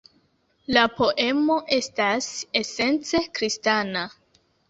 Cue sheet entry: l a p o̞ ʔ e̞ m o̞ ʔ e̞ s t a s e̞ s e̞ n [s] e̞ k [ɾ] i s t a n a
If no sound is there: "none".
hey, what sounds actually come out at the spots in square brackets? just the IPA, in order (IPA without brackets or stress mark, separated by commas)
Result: t͡s, ɾ